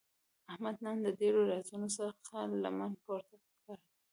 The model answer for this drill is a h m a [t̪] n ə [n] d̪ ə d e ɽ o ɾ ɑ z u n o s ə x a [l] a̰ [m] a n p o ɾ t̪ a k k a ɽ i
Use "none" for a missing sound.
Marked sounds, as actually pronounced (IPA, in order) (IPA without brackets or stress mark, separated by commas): d̪, n, l, m